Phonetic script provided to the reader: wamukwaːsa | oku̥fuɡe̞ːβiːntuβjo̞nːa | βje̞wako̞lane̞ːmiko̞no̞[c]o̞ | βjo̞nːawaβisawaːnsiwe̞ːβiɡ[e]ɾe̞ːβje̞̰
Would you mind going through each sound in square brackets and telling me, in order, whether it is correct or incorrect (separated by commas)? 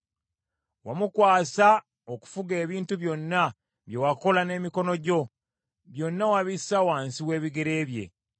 incorrect, correct